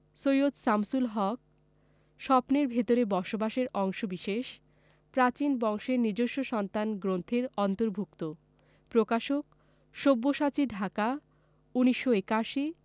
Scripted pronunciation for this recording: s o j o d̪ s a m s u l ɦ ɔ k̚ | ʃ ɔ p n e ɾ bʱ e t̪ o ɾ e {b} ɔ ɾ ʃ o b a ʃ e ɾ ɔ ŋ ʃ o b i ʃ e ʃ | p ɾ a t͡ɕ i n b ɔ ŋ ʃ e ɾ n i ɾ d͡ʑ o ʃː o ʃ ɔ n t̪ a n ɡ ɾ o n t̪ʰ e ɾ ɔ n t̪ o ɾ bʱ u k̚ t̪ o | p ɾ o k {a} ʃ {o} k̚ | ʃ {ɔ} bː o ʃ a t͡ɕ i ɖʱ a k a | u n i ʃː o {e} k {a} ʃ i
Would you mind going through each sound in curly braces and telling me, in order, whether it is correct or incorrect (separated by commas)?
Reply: correct, correct, correct, incorrect, correct, correct